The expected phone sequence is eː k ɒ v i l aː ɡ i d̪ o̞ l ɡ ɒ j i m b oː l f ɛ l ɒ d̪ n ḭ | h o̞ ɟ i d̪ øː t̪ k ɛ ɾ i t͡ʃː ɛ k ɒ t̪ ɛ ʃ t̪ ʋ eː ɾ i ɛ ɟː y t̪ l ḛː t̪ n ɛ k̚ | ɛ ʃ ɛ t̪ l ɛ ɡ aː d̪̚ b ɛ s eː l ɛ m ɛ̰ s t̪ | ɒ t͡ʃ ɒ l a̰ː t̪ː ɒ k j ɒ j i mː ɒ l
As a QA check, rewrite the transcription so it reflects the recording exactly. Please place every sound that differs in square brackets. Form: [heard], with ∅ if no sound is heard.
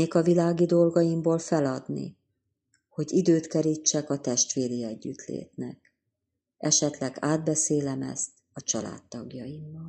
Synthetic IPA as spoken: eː k ɒ v i l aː ɡ i d̪ o̞ l ɡ ɒ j i m b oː l f ɛ l ɒ d̪ n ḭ | h o̞ ɟ i d̪ øː t̪ k ɛ ɾ i t͡ʃː ɛ k ɒ t̪ ɛ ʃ t̪ ʋ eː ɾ i ɛ ɟː y t̪ l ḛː t̪ n ɛ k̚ | ɛ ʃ ɛ t̪ l ɛ ɡ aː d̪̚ b ɛ s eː l ɛ m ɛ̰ s t̪ | ɒ t͡ʃ ɒ l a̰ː t̪ː ɒ [ɡ] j ɒ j i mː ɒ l